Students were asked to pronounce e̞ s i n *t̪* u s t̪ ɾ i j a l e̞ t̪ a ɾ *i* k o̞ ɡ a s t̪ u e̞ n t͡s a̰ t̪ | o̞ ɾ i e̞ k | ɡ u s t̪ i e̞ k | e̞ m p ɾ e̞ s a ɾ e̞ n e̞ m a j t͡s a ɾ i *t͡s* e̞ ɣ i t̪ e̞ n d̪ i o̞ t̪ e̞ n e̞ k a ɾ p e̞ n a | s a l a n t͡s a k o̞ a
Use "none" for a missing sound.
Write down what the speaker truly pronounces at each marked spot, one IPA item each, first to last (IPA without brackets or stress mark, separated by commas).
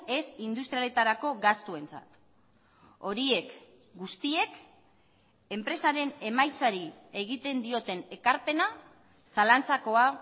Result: d̪, a, none